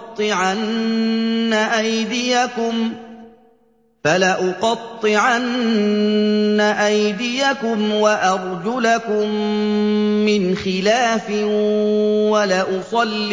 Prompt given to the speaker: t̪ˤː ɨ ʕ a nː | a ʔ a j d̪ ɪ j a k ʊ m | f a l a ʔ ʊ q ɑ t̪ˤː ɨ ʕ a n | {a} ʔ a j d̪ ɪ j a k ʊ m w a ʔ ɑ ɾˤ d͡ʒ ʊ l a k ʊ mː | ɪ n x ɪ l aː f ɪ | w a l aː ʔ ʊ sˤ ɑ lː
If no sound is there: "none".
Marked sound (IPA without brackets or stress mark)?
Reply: a